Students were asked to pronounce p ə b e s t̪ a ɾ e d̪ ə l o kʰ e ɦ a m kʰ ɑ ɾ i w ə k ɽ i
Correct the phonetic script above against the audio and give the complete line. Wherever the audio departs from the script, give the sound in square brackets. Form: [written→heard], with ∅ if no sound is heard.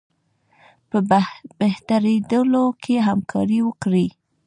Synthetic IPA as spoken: p ə b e [s→h] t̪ a ɾ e d̪ ə l o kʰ e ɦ a m kʰ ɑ ɾ i w ə k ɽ i